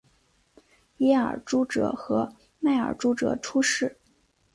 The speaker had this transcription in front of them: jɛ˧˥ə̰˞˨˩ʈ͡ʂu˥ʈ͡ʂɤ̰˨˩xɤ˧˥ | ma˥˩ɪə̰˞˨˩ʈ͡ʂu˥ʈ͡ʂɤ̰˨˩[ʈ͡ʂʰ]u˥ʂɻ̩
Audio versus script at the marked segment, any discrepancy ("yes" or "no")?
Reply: no